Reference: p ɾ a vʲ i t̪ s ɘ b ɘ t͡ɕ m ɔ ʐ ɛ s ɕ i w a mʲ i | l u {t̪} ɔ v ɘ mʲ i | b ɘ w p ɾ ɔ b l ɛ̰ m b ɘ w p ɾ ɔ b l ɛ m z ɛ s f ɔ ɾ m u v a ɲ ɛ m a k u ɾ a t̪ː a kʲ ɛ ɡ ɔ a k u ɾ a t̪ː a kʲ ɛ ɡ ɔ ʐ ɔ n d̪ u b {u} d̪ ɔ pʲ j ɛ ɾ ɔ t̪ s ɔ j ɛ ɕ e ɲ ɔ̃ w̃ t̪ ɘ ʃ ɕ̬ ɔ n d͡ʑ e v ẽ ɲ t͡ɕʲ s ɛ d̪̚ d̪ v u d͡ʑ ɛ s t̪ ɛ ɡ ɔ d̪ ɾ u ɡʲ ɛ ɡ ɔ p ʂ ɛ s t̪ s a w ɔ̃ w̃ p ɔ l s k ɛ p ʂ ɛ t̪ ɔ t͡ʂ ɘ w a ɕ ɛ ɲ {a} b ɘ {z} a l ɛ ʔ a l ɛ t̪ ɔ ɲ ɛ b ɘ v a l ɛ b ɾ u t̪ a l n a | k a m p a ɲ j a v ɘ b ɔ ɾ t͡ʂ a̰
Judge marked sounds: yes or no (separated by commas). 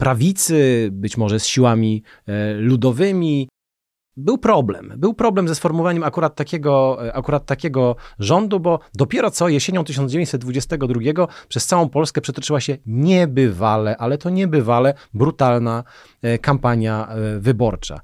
no, no, no, no